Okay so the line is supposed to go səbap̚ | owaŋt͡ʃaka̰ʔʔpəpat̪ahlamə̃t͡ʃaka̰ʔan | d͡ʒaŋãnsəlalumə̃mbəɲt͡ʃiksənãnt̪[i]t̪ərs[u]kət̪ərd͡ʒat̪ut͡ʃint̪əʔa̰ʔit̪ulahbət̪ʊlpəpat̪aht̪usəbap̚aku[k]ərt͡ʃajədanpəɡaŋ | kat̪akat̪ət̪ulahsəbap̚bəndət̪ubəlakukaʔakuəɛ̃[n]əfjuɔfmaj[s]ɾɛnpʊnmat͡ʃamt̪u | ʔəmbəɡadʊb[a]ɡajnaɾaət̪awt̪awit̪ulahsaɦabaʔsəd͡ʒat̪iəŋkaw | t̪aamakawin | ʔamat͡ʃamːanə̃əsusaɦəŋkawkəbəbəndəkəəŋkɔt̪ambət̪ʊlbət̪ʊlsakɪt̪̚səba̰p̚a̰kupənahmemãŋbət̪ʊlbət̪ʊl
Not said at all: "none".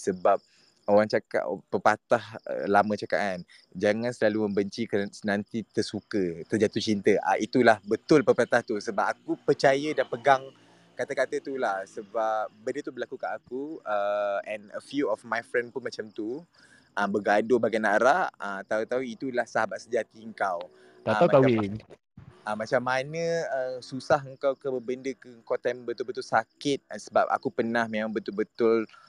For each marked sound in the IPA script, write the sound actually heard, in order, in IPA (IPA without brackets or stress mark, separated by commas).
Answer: i, u, p, n, f, a